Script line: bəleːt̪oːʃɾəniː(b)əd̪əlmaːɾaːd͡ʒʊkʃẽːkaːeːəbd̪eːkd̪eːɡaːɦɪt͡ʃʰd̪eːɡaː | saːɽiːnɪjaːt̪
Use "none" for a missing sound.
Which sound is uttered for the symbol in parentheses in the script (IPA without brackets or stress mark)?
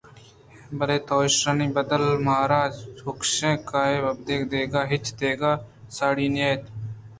b